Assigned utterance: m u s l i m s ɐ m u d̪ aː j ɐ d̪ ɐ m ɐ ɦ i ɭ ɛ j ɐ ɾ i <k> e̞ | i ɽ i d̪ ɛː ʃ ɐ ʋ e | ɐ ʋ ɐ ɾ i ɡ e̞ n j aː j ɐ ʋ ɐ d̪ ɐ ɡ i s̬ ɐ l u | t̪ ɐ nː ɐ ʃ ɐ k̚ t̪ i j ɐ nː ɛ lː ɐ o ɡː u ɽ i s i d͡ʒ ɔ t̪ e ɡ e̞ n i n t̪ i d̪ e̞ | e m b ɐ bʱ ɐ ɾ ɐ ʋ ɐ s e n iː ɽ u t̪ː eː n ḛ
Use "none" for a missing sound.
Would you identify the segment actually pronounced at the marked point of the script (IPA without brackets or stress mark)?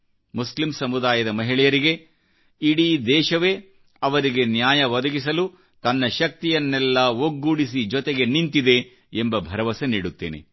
ɡ